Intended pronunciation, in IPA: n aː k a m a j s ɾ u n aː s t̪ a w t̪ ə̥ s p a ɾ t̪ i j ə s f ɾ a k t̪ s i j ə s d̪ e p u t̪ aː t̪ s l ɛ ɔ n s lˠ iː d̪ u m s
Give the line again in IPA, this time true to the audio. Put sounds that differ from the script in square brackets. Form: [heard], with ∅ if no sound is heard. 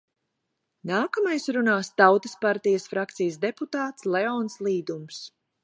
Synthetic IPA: n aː k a m a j s ɾ u n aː s t̪ a w t̪ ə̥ s p a ɾ t̪ i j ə s f ɾ a k t̪ s i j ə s d̪ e p u t̪ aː t̪ s l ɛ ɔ n s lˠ iː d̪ u m s